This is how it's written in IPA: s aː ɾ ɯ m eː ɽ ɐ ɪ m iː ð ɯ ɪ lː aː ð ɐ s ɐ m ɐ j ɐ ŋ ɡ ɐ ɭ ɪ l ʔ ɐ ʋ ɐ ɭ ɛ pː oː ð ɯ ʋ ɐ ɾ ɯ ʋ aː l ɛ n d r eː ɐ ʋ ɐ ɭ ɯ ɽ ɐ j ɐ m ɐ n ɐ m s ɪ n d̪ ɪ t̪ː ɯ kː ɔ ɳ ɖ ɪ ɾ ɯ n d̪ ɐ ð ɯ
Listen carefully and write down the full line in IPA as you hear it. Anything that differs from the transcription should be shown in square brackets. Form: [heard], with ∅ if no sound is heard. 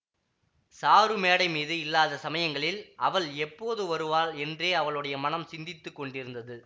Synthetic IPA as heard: s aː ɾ ɯ m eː ɽ ɐ ɪ m iː ð ɯ ɪ lː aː ð ɐ s ɐ m ɐ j ɐ ŋ ɡ ɐ ɭ ɪ l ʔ ɐ ʋ ɐ ɭ ɛ pː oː ð ɯ ʋ ɐ ɾ ɯ ʋ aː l ɛ n d r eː ɐ ʋ ɐ ɭ ɯ ɽ ɐ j ɐ m ɐ n ɐ m s ɪ n d̪ ɪ t̪ː ɯ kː ɔ ɳ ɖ ɪ ɾ ɯ n d̪ ɐ ð ɯ